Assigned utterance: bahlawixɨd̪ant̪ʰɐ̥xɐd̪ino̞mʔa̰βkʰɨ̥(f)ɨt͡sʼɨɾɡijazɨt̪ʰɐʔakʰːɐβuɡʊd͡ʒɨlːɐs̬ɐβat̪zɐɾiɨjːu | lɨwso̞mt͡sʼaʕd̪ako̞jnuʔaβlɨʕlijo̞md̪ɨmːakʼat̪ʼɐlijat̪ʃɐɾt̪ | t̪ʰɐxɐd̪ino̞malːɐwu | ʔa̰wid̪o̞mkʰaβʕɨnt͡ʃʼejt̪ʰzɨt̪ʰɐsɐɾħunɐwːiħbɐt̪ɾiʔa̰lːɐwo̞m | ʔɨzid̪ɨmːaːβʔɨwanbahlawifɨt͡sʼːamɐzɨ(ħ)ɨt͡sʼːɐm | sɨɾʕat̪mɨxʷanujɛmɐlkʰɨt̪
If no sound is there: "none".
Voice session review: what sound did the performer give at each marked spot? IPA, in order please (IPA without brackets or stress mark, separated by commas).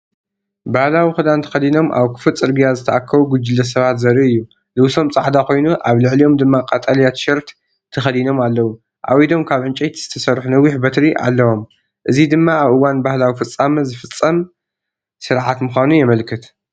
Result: f, f